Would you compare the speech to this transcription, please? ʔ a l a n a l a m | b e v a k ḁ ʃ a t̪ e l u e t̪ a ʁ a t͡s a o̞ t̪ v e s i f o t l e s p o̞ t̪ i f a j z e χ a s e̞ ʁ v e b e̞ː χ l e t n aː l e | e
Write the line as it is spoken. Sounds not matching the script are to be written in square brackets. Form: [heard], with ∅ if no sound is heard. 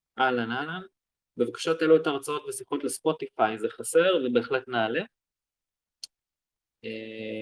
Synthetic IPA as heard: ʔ a l a n a l a [n] | b e v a k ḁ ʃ a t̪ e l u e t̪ a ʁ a t͡s a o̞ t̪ v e s i [χ] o t l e s p o̞ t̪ i f a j z e χ a s e̞ ʁ v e b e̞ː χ l e t n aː l e | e